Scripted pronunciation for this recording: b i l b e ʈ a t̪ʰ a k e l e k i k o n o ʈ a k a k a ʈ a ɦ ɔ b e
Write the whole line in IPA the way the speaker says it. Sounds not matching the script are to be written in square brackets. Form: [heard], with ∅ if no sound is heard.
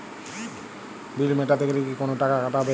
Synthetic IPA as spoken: b i l [m] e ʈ a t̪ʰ [e] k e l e k i k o n o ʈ a k a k a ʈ a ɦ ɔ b e